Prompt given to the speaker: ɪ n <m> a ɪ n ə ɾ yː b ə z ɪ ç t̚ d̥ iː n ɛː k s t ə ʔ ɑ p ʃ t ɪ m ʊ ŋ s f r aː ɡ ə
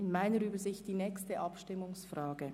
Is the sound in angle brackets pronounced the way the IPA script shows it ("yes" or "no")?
yes